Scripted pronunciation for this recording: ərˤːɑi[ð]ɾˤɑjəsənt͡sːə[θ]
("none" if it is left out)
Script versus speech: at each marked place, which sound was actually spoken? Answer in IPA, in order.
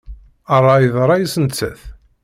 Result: ð, θ

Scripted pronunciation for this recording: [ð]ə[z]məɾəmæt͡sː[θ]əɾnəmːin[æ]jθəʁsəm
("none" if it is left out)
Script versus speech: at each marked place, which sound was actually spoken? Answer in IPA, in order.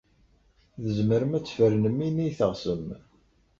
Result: ð, z, f, i

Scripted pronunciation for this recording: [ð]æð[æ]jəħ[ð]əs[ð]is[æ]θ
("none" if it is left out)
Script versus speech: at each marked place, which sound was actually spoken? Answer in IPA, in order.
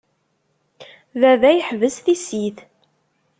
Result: ð, æ, v, θ, i

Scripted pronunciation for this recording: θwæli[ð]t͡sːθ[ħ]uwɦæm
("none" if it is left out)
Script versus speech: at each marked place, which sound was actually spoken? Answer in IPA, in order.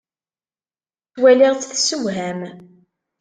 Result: ʁ, s

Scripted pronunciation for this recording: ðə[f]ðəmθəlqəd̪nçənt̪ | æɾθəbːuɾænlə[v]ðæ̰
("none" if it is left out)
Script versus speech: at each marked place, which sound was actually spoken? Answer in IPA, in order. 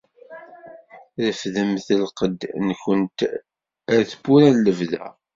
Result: f, v

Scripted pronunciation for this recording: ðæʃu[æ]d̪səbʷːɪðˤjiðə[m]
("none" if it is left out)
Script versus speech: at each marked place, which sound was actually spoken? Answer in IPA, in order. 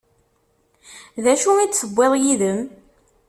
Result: i, m

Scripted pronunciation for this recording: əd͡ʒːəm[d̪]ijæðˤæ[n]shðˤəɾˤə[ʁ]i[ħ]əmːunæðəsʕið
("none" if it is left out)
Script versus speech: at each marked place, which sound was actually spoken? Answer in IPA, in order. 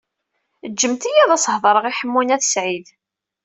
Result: t̪, none, ʁ, ħ

